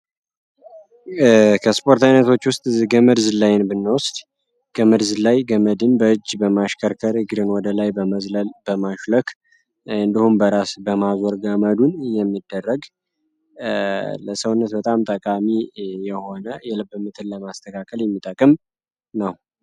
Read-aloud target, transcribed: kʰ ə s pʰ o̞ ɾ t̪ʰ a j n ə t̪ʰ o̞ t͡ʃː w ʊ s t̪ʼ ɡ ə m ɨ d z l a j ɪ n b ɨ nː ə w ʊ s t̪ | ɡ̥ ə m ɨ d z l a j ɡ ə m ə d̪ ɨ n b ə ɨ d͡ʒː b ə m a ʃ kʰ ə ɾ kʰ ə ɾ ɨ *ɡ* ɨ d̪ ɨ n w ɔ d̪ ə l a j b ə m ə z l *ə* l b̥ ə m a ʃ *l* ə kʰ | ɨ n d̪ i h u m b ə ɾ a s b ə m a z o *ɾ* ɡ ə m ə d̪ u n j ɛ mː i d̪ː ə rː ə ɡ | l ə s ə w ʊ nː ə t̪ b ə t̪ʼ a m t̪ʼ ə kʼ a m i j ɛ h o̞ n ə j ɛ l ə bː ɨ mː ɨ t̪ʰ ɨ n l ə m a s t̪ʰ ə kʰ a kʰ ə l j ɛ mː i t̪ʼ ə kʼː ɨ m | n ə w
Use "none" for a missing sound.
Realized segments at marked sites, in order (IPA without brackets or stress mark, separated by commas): ɡ, ə, l, ɾ